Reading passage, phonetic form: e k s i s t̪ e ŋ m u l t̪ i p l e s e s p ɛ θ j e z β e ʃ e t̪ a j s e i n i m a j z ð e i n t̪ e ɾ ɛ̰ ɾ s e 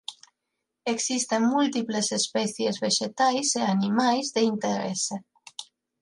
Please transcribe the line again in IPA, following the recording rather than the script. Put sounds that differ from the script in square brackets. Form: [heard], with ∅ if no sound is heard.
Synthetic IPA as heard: e k s i s t̪ e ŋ m u l t̪ i p l e s e s p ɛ θ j e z β e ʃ e t̪ a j s e [a] n i m a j z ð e i n t̪ e ɾ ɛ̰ [∅] s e